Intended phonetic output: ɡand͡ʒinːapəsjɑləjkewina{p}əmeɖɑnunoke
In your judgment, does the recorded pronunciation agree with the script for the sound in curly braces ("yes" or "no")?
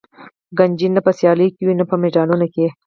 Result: yes